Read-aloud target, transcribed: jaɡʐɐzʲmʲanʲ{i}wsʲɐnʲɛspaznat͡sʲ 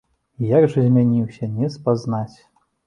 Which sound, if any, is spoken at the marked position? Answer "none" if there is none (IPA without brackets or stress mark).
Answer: i